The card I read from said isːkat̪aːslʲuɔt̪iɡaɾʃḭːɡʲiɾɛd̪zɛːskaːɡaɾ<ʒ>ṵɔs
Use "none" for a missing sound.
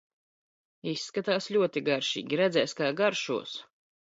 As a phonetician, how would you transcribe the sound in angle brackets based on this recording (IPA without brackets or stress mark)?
ʃ